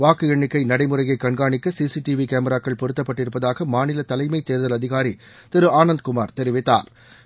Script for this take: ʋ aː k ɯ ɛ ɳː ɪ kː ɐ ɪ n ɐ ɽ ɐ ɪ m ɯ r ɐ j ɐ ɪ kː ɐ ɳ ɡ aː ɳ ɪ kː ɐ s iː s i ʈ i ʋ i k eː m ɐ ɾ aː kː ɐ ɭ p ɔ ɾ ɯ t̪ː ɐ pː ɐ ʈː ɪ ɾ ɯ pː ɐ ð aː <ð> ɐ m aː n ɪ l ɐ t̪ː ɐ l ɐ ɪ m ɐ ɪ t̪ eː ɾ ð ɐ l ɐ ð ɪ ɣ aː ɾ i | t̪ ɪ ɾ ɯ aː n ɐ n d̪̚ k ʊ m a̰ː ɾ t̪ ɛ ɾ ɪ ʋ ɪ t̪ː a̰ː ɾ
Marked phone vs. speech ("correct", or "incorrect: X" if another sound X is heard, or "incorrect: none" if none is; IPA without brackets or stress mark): incorrect: ɣ